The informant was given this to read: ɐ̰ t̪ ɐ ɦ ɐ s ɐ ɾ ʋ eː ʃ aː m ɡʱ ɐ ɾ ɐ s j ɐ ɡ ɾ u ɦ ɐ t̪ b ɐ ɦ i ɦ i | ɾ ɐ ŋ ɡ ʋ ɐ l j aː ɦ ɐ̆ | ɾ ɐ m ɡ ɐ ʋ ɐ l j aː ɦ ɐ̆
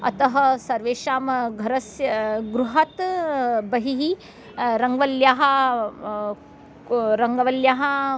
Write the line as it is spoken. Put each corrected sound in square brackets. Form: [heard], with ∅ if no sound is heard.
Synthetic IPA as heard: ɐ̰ t̪ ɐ ɦ ɐ s ɐ ɾ ʋ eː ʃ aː m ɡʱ ɐ ɾ ɐ s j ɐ ɡ ɾ u ɦ ɐ t̪ b ɐ ɦ i ɦ i | ɾ ɐ ŋ ɡ ʋ ɐ l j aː ɦ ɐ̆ | ɾ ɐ [ŋ] ɡ ɐ ʋ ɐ l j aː ɦ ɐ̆